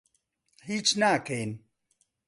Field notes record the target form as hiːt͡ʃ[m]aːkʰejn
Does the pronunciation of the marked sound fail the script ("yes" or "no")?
yes